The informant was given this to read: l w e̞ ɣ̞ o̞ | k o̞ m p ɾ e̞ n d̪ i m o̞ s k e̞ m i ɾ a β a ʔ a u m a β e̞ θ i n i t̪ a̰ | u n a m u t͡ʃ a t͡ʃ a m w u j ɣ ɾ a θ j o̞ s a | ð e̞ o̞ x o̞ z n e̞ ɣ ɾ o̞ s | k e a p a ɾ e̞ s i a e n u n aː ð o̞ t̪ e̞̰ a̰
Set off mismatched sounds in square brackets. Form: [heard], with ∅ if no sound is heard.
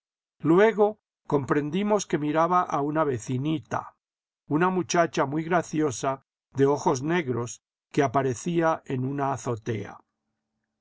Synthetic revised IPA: l w e̞ ɣ̞ o̞ | k o̞ m p ɾ e̞ n d̪ i m o̞ s k e̞ m i ɾ a β a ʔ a u [n] a β e̞ θ i n i t̪ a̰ | u n a m u t͡ʃ a t͡ʃ a m w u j ɣ ɾ a θ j o̞ s a | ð e̞ o̞ x o̞ z n e̞ ɣ ɾ o̞ s | k e a p a ɾ e̞ [θ] i a e n u n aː [θ] o̞ t̪ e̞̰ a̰